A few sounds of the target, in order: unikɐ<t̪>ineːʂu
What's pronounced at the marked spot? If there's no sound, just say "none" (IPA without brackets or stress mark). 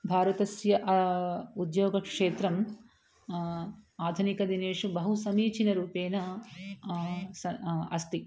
d̪